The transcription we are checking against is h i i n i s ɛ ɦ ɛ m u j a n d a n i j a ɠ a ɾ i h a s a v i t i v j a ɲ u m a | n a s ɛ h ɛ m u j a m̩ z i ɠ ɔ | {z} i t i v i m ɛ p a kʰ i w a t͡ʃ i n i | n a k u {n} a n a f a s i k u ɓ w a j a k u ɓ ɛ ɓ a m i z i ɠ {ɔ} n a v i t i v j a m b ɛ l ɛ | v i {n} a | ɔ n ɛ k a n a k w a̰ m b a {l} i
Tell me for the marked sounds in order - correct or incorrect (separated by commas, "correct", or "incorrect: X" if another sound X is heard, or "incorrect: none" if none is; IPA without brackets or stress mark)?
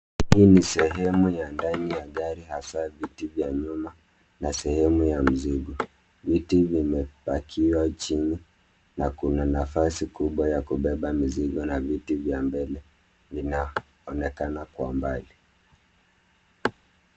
incorrect: v, correct, correct, correct, correct